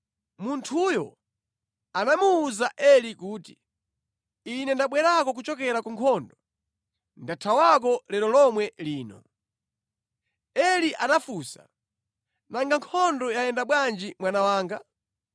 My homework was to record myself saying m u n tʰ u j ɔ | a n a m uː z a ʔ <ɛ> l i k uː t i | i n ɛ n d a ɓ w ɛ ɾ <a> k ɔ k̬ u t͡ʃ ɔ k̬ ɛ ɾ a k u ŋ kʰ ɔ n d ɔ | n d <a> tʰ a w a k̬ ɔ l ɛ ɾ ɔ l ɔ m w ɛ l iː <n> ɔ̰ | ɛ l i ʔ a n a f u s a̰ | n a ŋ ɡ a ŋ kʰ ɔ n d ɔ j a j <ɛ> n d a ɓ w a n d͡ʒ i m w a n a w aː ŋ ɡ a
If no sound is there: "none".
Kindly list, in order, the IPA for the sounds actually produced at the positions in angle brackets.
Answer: ɛ, a, a, n, ɛ

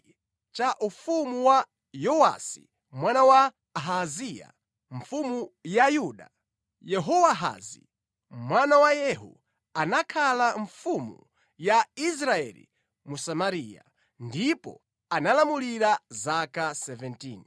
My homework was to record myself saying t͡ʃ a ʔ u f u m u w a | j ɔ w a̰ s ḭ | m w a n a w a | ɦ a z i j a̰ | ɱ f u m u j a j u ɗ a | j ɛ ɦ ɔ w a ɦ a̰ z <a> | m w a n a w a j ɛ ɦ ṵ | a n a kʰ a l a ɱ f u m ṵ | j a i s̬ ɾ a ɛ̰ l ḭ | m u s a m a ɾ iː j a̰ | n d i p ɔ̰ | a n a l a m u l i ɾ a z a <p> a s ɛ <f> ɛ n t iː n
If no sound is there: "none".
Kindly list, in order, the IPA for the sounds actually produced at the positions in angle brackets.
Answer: i, k, v

